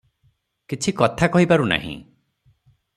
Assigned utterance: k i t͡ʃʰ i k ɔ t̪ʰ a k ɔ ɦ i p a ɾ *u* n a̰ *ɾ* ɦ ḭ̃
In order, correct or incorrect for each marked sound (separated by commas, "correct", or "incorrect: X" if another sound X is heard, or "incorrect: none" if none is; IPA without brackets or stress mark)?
correct, incorrect: none